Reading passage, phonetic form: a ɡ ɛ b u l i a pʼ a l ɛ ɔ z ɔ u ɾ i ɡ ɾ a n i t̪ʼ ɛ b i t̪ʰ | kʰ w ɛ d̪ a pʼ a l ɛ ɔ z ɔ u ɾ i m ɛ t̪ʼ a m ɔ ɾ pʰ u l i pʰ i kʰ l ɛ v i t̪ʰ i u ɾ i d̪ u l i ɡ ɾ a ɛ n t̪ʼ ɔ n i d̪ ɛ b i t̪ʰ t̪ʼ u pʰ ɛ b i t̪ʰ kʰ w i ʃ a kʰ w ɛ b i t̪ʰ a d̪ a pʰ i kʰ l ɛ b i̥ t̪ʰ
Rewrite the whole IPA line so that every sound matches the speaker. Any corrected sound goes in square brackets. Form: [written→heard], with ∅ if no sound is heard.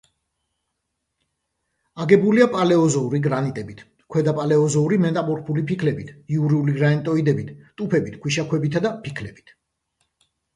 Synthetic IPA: a ɡ ɛ b u l i a pʼ a l ɛ ɔ z ɔ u ɾ i ɡ ɾ a n i t̪ʼ ɛ b i t̪ʰ | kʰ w ɛ d̪ a pʼ a l ɛ ɔ z ɔ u ɾ i m ɛ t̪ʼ a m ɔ ɾ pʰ u l i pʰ i kʰ l ɛ [v→b] i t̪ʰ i u ɾ i [d̪→∅] u l i ɡ ɾ a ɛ n t̪ʼ ɔ [n→∅] i d̪ ɛ b i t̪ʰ t̪ʼ u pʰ ɛ b i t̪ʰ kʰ w i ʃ a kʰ w ɛ b i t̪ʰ a d̪ a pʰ i kʰ l ɛ b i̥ t̪ʰ